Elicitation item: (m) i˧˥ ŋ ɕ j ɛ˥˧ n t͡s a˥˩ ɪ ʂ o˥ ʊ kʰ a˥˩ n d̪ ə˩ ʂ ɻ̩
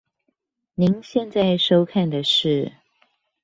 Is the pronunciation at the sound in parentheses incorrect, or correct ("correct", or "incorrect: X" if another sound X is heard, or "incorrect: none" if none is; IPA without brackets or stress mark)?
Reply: incorrect: n